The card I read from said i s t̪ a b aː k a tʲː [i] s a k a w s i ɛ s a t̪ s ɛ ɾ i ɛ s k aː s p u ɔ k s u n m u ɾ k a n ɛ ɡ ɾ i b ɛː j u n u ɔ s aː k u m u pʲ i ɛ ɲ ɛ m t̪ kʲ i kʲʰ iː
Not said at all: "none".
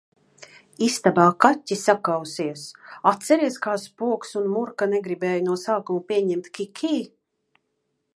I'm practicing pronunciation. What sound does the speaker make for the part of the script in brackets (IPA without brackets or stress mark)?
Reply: i